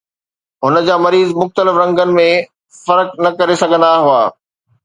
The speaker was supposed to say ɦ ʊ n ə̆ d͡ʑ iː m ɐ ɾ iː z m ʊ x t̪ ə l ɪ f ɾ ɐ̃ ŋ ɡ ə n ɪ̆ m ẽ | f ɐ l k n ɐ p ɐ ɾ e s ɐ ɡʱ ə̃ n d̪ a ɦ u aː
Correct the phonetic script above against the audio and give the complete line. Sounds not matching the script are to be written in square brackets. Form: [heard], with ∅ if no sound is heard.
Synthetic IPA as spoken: ɦ ʊ n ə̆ d͡ʑ [aː] m ɐ ɾ iː z m ʊ x t̪ ə l ɪ f ɾ ɐ̃ ŋ ɡ ə n ɪ̆ m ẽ | f ɐ [ɾ] k n ɐ [k] ɐ ɾ e s ɐ ɡʱ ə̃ n d̪ a ɦ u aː